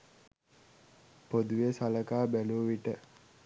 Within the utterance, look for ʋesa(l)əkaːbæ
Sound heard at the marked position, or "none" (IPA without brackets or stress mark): l